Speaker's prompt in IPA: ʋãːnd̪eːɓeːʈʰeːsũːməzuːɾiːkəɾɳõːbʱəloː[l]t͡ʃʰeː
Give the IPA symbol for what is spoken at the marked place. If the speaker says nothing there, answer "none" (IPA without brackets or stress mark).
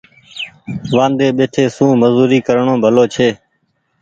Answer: none